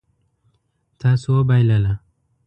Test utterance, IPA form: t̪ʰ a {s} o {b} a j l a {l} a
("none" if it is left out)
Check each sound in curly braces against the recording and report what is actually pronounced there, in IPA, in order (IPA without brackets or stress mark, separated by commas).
s, b, l